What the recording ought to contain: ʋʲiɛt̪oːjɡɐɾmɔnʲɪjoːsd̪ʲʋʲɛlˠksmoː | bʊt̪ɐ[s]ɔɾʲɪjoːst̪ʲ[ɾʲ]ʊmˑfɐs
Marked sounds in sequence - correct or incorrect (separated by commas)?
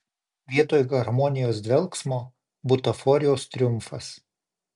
incorrect, correct